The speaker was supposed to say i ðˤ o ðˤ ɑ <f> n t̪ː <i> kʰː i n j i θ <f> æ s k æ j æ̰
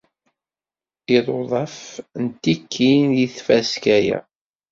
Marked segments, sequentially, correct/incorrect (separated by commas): correct, correct, correct